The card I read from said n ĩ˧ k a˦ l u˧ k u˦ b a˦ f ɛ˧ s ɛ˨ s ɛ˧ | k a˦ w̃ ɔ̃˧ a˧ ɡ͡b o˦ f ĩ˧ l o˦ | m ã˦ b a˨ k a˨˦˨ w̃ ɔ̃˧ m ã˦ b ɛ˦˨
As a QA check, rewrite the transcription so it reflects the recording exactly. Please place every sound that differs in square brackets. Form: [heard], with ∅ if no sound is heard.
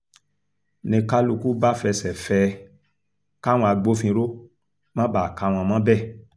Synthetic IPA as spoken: n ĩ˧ k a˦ l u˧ k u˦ b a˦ f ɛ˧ s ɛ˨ [f] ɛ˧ | k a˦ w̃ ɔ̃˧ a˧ ɡ͡b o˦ f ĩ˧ [ɾ] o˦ | m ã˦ b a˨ k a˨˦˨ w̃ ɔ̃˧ m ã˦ b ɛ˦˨

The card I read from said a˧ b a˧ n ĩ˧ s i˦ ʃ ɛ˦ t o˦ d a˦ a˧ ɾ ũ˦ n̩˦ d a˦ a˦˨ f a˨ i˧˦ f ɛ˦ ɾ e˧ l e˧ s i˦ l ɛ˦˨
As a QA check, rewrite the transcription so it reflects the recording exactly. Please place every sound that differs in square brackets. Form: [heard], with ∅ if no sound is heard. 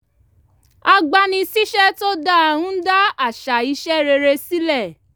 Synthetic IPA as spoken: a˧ [ɡ͡b] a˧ n ĩ˧ s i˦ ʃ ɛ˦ t o˦ d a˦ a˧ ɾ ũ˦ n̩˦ d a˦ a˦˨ [ʃ] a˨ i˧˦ [ʃ] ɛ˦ ɾ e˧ [ɾ] e˧ s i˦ l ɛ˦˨

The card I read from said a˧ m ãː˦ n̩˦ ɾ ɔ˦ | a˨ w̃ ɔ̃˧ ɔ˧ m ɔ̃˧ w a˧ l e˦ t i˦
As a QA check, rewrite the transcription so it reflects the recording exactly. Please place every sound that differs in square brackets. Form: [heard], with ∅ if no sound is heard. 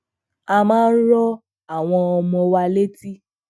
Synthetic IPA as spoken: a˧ m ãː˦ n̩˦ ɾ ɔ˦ | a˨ w̃ ɔ̃˧ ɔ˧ m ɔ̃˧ w a˧ l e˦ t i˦

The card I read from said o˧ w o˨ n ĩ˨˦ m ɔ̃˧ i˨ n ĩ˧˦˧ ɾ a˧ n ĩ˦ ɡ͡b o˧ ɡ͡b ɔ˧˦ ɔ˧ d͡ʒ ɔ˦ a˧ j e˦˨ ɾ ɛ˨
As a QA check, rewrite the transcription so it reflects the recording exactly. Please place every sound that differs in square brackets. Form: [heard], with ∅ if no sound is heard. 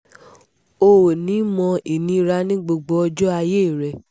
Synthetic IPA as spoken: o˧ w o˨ n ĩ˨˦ m ɔ̃˧ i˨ n ĩ˧˦˧ ɾ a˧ n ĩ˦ ɡ͡b o˧ ɡ͡b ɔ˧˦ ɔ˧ d͡ʒ ɔ˦ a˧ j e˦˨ ɾ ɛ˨

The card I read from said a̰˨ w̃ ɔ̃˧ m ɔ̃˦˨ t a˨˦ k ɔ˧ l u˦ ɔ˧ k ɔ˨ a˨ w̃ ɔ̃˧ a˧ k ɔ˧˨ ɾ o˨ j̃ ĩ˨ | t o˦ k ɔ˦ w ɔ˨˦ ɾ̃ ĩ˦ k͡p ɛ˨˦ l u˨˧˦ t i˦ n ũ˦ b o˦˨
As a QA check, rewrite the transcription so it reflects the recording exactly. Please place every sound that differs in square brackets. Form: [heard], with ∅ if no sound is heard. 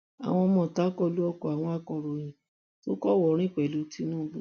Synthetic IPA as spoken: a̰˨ w̃ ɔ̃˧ m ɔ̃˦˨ t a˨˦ k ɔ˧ l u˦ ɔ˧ k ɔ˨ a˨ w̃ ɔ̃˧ a˧ k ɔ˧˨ ɾ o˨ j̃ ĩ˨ | t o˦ k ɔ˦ w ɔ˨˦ ɾ̃ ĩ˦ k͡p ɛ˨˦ l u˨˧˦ t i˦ n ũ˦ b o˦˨

